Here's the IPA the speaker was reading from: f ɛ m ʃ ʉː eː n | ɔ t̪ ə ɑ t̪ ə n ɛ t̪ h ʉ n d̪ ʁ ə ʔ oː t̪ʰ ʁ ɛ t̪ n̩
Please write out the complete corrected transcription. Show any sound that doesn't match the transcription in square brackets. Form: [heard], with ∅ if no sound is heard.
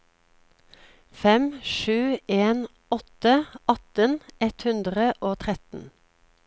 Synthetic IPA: f ɛ m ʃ ʉː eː n | ɔ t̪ ə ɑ t̪ ə n ɛ t̪ h ʉ n d̪ ʁ ə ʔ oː t̪ʰ ʁ ɛ t̪ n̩